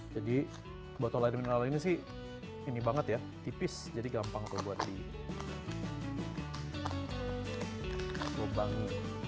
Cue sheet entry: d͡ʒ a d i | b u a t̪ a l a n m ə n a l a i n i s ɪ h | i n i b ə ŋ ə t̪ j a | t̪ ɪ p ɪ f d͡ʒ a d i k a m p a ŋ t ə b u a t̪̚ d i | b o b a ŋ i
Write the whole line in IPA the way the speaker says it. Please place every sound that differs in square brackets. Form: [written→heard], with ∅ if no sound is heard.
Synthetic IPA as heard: d͡ʒ a d i | b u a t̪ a l a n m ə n a l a i n i s ɪ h | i n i b [ə→a] ŋ ə t̪ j a | t̪ [ɪ→i] p ɪ [f→s] d͡ʒ a d i [k→ɡ] a m p a ŋ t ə b u a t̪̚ d i | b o b a ŋ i

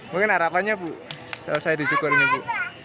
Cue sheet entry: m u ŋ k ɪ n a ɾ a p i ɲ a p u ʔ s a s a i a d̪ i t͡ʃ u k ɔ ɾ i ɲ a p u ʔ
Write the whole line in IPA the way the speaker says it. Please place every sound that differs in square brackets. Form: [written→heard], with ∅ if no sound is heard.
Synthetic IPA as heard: m u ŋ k ɪ n a ɾ a p [i→a] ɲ a p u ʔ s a s a [i→j] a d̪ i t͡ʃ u k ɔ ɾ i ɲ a p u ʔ

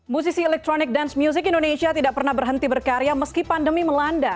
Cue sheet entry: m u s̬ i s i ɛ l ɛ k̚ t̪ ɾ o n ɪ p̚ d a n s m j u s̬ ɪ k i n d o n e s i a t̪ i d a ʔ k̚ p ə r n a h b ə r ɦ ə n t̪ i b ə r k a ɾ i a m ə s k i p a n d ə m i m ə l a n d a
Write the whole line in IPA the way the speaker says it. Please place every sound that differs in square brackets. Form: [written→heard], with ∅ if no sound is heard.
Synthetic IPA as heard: m u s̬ i s i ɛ l ɛ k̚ t̪ ɾ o n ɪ [p̚→k̚] d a n s m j u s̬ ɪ k i n d o n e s i a t̪ i d a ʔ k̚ p ə r n a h b ə r ɦ ə n t̪ i b ə r k a ɾ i a m ə s k i p a n d ə m i m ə l a n d a

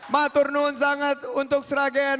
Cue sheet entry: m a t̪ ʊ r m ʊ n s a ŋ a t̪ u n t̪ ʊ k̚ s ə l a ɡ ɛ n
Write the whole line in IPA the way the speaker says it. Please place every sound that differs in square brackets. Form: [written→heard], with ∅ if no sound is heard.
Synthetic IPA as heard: m a t̪ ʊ r [m→n] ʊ n s a ŋ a t̪ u n t̪ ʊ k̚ s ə [l→ɾ] a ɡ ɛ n

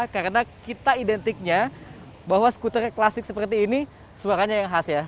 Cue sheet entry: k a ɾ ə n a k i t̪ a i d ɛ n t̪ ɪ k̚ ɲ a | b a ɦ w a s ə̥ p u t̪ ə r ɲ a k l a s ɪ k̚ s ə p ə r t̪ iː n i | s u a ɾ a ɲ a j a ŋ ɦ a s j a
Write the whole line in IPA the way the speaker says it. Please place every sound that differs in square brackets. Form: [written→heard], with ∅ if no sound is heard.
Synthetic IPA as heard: k a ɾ ə n a k i t̪ a i d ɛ n t̪ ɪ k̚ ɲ a | b a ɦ w a s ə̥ [p→k] u t̪ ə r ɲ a k l a s ɪ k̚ s ə p ə r t̪ iː n i | s u a ɾ a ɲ a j a ŋ ɦ a s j a

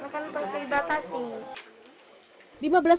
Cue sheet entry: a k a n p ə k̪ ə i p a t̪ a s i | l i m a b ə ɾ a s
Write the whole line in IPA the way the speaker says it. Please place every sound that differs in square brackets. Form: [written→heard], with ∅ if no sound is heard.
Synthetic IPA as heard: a k a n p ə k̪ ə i [p→b] a t̪ a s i | l i m a b ə [ɾ→l] a s

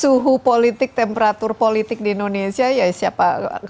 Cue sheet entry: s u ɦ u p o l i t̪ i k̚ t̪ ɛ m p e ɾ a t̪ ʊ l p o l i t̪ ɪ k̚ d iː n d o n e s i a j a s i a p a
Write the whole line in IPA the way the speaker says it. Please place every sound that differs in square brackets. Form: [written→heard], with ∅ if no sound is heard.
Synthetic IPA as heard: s u ɦ u p o l i t̪ [i→ɪ] k̚ t̪ ɛ m p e ɾ a t̪ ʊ [l→r] p o l i t̪ ɪ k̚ d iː n d o n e s i a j a s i a p a

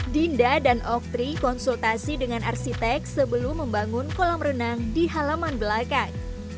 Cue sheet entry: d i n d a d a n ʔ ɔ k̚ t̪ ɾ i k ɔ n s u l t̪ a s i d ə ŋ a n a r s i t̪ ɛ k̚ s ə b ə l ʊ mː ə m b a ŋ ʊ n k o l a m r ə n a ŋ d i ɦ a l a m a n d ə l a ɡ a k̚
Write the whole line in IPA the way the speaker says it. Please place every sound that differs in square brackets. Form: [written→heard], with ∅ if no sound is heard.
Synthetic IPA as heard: d i n d a d a n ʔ ɔ k̚ t̪ ɾ i k ɔ n s u l t̪ a s i d ə ŋ a n a r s i t̪ ɛ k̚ s ə b ə l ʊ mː ə m b a ŋ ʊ n k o l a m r ə n a ŋ d i ɦ a l a m a n [d→b] ə l a [ɡ→k] a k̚

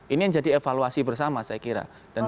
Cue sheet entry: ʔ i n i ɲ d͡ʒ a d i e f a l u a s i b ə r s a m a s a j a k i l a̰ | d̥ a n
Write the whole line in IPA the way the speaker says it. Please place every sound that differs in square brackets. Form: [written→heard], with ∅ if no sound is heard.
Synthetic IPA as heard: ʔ i n i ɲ d͡ʒ a d i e f a l u a s i b ə r s a m a s a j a k i [l→ɾ] a̰ | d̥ a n

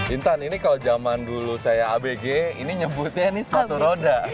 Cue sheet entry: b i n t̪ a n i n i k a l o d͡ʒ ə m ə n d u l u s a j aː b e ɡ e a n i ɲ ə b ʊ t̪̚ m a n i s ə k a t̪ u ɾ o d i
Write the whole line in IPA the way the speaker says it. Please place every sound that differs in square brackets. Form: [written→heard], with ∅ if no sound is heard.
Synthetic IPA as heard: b i n t̪ a n i n i k a l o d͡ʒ [ə→a] m [ə→a] n d u l u s a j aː b e ɡ e [a→i] n i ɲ ə b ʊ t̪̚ [m→ɲ] a n i s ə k a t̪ u ɾ o d [i→a]

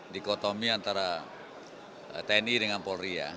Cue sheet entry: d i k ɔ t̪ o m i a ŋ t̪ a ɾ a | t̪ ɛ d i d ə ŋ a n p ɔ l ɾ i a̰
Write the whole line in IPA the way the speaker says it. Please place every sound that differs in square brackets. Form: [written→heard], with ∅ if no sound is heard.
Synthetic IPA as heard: d i k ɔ t̪ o m i a [ŋ→n] t̪ a ɾ a | t̪ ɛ [d→n] i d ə ŋ a n p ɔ l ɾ i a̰

